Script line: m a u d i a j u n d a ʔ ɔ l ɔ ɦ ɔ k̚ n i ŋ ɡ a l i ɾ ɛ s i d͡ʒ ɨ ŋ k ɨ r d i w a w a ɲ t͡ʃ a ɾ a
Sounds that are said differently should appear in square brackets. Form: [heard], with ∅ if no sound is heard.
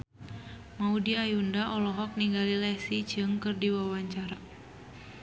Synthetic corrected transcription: m a u d i a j u n d a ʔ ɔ l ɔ ɦ ɔ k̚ n i ŋ ɡ a l i [l] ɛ s i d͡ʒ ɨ ŋ k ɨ r d i w a w a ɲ t͡ʃ a ɾ a